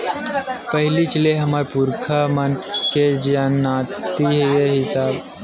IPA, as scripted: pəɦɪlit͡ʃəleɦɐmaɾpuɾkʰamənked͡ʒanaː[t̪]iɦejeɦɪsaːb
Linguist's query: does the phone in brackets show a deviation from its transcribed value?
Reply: no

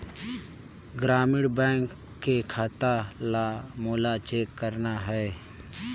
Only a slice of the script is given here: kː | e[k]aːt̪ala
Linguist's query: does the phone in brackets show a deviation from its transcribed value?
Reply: yes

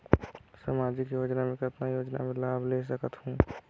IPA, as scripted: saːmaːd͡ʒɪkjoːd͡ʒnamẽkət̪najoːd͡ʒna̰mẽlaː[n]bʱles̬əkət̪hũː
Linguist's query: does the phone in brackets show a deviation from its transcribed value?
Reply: yes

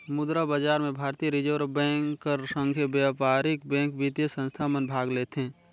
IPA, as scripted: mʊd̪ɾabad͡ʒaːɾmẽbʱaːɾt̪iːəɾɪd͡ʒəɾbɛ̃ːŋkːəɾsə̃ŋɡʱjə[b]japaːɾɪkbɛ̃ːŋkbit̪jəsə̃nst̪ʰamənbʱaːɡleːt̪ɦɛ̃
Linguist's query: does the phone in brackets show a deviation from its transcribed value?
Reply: no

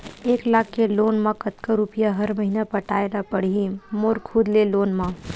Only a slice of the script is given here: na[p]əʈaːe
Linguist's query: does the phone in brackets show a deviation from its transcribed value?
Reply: no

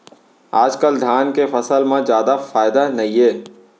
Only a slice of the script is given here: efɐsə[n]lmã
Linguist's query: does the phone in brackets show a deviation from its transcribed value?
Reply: yes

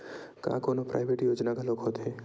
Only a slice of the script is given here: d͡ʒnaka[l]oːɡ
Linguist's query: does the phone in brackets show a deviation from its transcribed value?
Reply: no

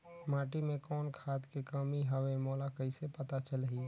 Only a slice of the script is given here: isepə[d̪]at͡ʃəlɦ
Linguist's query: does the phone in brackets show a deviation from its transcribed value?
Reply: yes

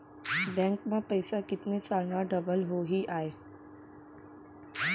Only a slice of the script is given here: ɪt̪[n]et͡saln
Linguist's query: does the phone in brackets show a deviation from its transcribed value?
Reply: no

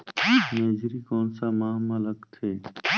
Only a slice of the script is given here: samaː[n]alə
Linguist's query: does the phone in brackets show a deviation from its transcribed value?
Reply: yes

